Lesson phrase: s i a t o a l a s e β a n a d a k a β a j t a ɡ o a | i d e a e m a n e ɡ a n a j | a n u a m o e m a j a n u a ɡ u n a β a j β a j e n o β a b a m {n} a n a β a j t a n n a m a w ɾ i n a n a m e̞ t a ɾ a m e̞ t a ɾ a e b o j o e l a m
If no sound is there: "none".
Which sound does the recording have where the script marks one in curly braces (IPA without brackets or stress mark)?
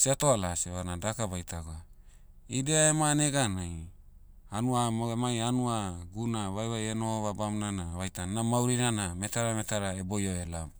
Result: n